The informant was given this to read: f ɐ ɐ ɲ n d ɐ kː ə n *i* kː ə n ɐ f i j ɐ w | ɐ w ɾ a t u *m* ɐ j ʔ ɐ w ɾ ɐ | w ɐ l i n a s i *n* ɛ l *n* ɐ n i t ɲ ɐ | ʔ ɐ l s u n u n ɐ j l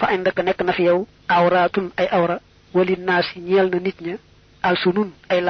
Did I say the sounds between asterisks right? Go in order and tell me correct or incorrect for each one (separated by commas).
incorrect, incorrect, incorrect, correct